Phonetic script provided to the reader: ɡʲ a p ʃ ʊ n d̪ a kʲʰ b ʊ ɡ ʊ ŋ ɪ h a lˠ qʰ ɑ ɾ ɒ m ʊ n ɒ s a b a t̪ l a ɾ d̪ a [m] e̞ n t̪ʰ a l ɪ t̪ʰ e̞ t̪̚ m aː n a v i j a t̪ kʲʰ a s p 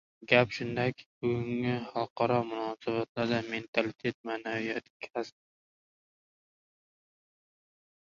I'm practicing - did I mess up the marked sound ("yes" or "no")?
no